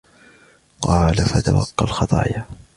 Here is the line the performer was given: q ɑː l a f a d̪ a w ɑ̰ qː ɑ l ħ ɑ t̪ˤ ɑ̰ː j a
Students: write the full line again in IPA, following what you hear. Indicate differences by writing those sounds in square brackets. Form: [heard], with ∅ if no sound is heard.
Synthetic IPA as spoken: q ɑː l a f a [t̪] a w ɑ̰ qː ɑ l [x] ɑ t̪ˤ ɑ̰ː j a